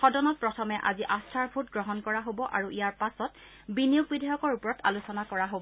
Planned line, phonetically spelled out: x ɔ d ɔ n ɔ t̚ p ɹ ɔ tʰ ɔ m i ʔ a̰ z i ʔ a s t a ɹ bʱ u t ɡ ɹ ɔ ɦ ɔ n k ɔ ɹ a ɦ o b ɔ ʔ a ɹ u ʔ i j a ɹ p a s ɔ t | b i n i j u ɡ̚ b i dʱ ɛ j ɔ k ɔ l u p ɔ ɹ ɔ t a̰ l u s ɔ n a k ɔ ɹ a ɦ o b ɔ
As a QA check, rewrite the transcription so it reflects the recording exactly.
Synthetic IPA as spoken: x ɔ d ɔ n ɔ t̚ p ɹ ɔ tʰ ɔ m ɛ ʔ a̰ z i ʔ a s tʰ a ɹ bʱ u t ɡ ɹ ɔ ɦ ɔ n k ɔ ɹ a ɦ o b ɔ ʔ a ɹ u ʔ i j a ɹ p a s ɔ t | b i n i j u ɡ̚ b i dʱ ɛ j ɔ k ɔ ɹ u p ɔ ɹ ɔ t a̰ l u s ɔ n a k ɔ ɹ a ɦ o b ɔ